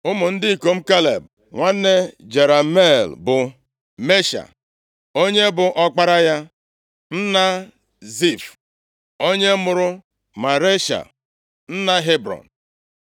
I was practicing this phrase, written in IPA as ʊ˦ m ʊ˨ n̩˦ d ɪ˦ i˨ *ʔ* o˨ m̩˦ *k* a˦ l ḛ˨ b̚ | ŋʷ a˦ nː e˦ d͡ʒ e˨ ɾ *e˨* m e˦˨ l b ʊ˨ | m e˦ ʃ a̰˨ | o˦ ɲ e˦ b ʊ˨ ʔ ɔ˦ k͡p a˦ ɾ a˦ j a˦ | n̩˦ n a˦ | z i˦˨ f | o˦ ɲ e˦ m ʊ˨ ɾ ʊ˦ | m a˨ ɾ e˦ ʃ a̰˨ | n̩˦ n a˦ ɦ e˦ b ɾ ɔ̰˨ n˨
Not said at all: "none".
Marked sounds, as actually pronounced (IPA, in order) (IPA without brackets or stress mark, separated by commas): k, k, a˨